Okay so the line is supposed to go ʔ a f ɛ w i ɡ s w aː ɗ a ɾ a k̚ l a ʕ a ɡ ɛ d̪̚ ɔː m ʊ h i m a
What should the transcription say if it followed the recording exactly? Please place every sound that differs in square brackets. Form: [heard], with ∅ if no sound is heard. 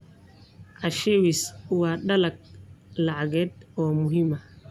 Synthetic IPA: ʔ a [ʃ] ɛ w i [∅] s w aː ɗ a [l] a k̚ l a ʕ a ɡ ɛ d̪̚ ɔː m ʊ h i m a